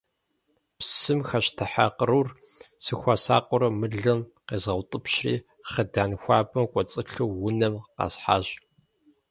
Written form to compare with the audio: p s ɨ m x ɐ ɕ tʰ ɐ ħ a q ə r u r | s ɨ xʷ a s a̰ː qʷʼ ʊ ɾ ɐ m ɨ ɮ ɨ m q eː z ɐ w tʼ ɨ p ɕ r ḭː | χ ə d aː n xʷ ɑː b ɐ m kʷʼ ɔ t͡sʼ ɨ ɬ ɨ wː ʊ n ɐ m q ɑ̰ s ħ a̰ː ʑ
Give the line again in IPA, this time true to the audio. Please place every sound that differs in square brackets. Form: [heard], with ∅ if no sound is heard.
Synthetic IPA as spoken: p s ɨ m x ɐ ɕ tʰ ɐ ħ a q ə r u r | s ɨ xʷ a s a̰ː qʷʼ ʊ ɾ ɐ m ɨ ɮ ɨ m q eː z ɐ w tʼ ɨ p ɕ r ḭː | χ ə d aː n xʷ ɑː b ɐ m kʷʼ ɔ t͡sʼ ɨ ɬ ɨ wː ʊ n ɐ m q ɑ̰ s ħ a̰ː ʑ